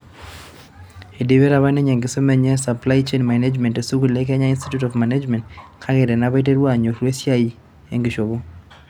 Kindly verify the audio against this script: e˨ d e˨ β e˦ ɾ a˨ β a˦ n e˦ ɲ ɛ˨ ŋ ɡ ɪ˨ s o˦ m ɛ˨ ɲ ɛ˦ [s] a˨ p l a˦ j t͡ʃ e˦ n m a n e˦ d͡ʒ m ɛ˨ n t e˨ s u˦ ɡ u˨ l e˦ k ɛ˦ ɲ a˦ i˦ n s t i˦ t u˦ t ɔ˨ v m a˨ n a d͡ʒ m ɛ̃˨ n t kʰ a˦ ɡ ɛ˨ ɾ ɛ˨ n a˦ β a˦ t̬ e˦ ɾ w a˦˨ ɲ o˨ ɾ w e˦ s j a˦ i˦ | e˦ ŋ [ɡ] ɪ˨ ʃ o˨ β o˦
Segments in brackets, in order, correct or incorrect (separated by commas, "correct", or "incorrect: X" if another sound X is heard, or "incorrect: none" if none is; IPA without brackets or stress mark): correct, correct